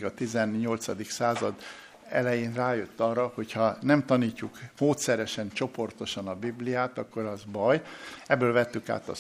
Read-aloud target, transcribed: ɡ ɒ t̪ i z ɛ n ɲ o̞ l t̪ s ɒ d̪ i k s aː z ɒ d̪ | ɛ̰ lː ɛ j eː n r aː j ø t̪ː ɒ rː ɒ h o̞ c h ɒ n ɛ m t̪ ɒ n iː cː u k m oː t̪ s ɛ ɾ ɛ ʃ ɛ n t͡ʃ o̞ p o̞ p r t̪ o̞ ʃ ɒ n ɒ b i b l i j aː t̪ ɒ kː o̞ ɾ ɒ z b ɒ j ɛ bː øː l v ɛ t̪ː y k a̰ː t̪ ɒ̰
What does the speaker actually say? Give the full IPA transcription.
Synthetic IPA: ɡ ɒ t̪ i z ɛ n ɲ o̞ l t̪ s ɒ d̪ i k s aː z ɒ d̪ | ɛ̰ l ɛ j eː n r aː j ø t̪ː ɒ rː ɒ h o̞ c h ɒ n ɛ m t̪ ɒ n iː cː u k m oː t̪ s ɛ ɾ ɛ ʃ ɛ n t͡ʃ o̞ p o̞ r t̪ o̞ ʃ ɒ n ɒ b i b l i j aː t̪ ɒ kː o̞ ɾ ɒ z b ɒ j ɛ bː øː l v ɛ t̪ː y k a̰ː t̪ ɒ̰